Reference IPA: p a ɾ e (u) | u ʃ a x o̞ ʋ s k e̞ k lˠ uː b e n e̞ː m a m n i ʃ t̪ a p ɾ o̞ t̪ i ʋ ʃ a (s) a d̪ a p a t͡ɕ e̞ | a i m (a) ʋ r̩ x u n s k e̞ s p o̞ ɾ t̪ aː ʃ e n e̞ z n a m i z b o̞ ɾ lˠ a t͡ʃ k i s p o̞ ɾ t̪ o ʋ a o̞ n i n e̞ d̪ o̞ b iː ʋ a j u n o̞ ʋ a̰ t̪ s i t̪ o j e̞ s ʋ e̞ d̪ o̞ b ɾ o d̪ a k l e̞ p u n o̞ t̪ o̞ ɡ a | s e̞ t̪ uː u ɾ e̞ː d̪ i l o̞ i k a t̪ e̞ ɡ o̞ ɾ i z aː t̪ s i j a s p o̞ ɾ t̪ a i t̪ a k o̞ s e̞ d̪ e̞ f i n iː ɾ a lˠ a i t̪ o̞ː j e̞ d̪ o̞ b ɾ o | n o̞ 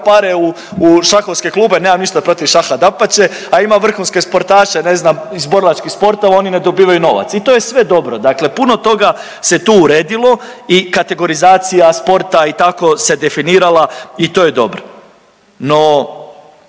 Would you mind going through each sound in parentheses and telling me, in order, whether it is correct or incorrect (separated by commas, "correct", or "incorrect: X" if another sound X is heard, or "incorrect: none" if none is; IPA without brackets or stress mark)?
correct, incorrect: x, correct